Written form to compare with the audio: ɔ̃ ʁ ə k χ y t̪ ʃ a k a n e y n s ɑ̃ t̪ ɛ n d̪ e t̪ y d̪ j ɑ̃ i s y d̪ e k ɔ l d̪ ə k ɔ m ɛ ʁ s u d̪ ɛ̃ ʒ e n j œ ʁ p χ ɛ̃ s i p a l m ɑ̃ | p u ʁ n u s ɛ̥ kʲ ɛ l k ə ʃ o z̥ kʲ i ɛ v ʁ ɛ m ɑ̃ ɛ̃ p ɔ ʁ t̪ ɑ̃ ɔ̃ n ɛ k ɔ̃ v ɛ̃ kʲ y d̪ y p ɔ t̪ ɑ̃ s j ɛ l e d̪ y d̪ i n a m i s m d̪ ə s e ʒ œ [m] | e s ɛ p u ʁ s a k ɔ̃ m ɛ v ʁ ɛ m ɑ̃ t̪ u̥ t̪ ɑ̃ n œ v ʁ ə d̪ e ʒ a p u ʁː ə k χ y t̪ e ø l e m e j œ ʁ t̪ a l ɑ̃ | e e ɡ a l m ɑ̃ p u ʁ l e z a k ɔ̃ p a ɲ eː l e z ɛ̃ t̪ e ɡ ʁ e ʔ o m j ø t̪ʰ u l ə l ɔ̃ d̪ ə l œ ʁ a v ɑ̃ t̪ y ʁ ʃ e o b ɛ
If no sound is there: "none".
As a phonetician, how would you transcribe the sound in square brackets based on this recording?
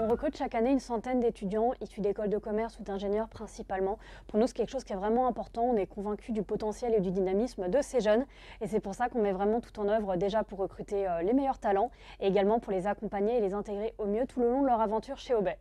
n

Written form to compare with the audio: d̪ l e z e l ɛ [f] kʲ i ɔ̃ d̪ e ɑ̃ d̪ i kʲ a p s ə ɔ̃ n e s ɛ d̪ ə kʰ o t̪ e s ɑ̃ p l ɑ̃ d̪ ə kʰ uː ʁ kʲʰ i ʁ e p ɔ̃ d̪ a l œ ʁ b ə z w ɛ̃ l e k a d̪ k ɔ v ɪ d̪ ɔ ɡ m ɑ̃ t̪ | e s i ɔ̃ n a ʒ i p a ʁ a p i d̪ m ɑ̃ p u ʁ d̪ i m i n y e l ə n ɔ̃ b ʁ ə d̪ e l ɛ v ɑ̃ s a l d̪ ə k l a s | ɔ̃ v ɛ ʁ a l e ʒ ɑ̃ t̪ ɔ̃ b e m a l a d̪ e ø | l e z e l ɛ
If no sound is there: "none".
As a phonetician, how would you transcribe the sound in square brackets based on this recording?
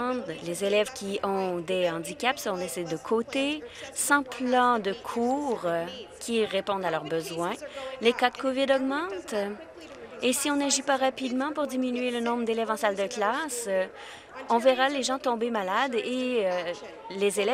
v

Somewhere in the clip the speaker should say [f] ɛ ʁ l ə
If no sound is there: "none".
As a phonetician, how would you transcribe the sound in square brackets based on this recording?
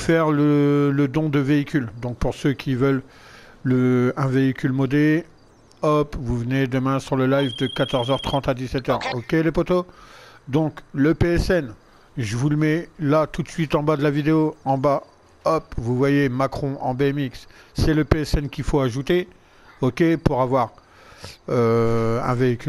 f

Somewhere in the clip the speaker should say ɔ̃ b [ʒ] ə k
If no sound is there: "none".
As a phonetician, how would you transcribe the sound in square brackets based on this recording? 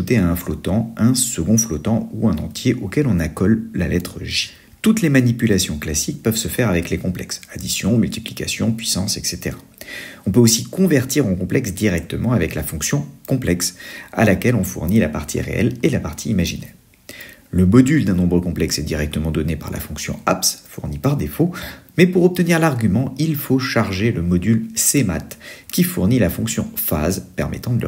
ʁ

